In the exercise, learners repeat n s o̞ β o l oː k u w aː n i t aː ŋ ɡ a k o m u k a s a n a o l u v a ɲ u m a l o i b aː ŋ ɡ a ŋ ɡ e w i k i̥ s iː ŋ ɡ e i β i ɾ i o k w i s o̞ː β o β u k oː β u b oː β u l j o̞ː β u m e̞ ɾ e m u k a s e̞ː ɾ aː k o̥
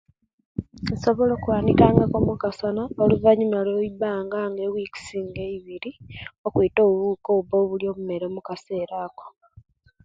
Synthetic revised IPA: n s o̞ β o l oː k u w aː n i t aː ŋ ɡ a k o m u k a s a n a o l u v a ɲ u m a l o i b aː ŋ ɡ a ŋ ɡ e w i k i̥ s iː ŋ ɡ e i β i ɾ i o k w i t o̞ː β u β u k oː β u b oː β u l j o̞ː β u m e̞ ɾ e m u k a s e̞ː ɾ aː k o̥